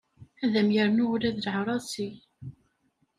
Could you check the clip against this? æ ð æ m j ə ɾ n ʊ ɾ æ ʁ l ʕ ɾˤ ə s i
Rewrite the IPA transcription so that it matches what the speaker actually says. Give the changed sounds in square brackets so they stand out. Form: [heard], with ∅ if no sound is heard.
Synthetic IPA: æ ð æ m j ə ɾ n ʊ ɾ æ [ð] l ʕ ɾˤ [ɑ] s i